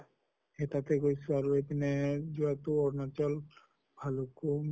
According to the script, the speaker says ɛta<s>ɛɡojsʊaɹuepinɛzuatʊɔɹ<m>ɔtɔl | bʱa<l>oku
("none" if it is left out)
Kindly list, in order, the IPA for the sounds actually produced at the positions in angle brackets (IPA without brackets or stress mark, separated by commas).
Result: t, n, l